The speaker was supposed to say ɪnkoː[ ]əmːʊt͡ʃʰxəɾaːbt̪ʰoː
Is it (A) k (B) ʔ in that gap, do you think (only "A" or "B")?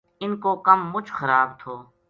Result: A